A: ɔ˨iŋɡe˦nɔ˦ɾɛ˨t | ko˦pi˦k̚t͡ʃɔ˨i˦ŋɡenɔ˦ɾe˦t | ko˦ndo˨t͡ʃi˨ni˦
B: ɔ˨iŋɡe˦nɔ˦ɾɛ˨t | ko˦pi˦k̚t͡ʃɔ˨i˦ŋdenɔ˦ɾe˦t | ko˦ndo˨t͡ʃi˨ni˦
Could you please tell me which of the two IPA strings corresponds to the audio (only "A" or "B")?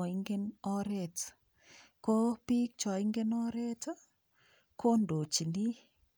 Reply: A